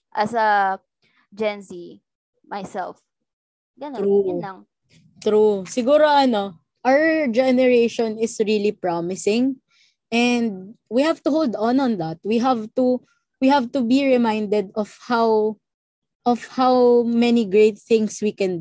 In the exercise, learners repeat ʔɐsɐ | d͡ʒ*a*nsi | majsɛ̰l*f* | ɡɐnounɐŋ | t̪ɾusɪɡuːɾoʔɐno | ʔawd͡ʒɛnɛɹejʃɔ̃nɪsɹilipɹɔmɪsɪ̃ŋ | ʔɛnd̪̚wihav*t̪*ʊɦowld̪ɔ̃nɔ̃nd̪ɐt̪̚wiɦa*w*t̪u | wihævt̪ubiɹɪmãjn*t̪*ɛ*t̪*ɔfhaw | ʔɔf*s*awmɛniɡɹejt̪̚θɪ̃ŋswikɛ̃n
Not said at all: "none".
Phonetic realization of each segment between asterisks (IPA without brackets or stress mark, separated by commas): ɛ, f, t̪, v, d̪, d̪, h